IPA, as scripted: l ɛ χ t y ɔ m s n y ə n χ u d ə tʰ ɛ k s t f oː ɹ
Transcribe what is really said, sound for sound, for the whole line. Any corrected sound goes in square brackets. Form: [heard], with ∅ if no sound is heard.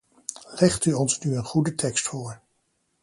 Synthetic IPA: l ɛ χ t y ɔ [n] s n y ə n χ u d ə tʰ ɛ k s t f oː ɹ